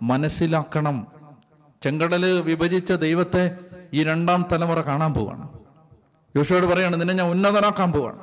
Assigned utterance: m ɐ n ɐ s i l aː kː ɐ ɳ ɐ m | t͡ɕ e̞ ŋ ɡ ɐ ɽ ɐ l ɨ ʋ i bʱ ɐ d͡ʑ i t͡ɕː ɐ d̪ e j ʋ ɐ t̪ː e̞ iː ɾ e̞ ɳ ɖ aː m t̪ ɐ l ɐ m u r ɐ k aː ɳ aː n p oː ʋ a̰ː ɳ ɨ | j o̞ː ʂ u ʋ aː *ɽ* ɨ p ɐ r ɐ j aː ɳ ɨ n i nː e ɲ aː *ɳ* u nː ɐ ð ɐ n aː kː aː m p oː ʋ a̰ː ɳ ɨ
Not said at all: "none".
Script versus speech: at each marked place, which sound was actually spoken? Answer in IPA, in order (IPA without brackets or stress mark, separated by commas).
ɽ, n